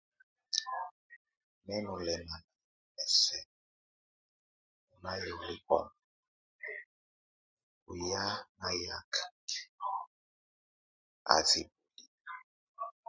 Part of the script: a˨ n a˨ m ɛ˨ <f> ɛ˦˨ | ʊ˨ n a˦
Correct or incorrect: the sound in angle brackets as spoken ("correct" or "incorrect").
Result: incorrect